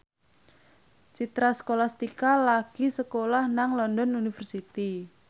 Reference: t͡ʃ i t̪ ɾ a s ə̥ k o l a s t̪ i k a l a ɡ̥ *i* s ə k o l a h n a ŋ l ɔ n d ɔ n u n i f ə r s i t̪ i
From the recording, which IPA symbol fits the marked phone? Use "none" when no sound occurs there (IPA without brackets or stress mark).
i